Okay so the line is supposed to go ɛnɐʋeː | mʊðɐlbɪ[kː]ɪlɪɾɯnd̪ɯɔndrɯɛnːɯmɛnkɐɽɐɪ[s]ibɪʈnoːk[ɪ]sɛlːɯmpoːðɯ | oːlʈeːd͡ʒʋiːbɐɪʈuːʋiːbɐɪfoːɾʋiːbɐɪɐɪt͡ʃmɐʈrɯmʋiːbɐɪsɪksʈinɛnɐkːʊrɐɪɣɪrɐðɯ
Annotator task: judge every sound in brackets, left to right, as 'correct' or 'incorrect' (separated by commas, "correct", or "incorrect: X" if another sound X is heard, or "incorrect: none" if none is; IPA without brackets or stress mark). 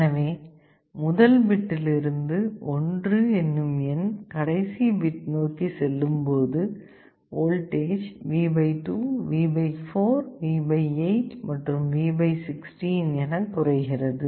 incorrect: ʈː, correct, incorrect: i